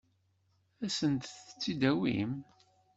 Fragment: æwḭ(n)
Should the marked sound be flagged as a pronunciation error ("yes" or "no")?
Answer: yes